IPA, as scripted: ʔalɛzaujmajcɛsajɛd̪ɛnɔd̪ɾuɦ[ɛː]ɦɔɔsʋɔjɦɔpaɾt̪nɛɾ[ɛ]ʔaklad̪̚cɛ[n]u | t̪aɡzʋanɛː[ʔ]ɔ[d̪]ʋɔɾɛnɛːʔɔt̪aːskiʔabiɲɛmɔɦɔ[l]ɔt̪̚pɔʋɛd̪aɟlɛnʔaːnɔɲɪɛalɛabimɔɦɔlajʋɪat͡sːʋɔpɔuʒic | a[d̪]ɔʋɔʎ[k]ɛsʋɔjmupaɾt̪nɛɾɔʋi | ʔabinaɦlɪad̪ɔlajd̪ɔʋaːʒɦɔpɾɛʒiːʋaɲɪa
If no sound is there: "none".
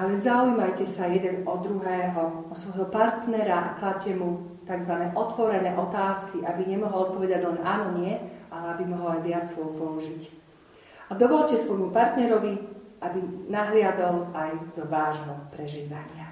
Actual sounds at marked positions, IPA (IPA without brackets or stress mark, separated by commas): ɛː, a, m, ʔ, t̪, l, d̪, c